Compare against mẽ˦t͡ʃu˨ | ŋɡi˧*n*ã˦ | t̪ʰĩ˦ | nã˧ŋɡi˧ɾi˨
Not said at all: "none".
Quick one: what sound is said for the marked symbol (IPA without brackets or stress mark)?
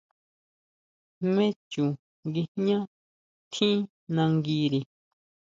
ɲ